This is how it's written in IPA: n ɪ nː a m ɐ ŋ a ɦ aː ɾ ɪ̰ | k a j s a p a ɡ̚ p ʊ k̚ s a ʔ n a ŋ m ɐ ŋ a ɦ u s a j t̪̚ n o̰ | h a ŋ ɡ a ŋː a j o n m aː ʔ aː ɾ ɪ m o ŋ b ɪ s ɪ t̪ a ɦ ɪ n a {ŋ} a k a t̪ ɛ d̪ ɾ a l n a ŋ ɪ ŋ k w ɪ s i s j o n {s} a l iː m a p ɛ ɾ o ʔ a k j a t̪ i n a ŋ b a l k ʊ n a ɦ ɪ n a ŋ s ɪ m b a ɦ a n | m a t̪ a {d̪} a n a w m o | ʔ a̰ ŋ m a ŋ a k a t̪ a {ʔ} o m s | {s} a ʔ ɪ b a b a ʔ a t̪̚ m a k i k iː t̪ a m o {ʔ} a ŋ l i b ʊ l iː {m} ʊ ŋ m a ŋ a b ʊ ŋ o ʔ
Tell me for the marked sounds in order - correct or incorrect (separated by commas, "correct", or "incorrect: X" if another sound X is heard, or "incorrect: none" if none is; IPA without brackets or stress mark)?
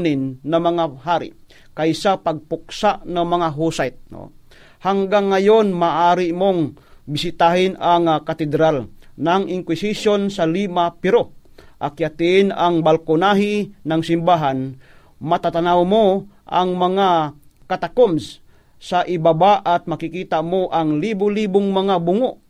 correct, correct, incorrect: t̪, incorrect: k, correct, correct, incorrect: b